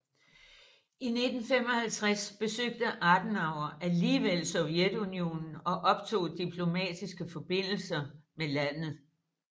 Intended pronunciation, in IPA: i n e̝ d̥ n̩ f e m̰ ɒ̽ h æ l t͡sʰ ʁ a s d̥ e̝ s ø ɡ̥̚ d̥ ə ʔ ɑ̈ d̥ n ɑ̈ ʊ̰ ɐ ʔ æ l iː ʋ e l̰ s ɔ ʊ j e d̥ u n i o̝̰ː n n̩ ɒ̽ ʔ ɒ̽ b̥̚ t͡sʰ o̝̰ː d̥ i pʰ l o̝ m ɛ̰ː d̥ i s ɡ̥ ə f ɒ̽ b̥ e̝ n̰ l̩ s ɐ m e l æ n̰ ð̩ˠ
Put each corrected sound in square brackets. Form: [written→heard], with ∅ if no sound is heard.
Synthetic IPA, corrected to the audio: i n e̝ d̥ n̩ f e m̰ ɒ̽ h æ l t͡sʰ ʁ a s [d̥→b̥] e̝ s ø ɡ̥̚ d̥ ə ʔ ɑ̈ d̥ n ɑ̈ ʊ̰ ɐ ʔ æ l iː ʋ e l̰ s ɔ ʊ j e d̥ u n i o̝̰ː n n̩ ɒ̽ ʔ ɒ̽ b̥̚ t͡sʰ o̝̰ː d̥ i pʰ l o̝ m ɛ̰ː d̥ i s ɡ̥ ə f ɒ̽ b̥ e̝ n̰ l̩ s ɐ m e l æ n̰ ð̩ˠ